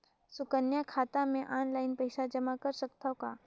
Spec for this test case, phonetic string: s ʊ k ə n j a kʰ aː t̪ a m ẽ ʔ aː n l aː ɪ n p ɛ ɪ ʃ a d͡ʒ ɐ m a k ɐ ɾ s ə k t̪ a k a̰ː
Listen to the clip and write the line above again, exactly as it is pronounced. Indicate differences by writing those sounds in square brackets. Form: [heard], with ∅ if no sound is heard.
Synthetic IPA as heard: s ʊ k ə n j a kʰ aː t̪ a m ẽ ʔ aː n l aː ɪ n p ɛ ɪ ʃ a d͡ʒ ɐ m a k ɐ ɾ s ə k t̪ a k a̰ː